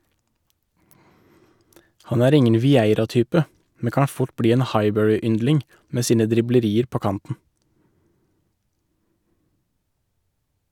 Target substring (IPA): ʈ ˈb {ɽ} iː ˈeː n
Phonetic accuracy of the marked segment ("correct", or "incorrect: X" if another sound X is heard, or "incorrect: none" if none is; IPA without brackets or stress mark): correct